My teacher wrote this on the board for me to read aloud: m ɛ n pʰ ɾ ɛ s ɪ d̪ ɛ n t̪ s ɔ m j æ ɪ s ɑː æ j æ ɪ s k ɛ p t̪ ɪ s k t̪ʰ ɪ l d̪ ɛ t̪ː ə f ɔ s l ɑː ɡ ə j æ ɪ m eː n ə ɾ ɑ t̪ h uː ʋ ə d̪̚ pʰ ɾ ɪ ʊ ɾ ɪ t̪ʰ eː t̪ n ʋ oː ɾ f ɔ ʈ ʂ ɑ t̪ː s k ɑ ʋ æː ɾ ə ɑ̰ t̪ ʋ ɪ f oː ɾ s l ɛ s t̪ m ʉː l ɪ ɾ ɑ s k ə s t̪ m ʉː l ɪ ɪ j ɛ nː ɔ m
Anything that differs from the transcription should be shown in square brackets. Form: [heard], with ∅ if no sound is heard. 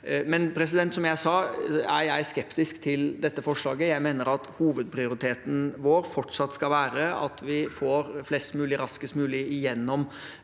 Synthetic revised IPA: m ɛ n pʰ ɾ ɛ s ɪ d̪ ɛ n t̪ s ɔ m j æ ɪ s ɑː æ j æ ɪ s k ɛ p t̪ ɪ s k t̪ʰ ɪ l d̪ ɛ t̪ː ə f ɔ [ʂ] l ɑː ɡ ə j æ ɪ m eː n ə ɾ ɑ t̪ h uː ʋ ə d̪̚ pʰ ɾ ɪ ʊ ɾ ɪ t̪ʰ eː t̪ n ʋ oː ɾ f ɔ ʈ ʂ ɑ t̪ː s k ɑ ʋ æː ɾ ə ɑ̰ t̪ ʋ ɪ f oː ɾ [f] l ɛ s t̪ m ʉː l ɪ ɾ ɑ s k ə s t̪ m ʉː l ɪ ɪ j ɛ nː ɔ m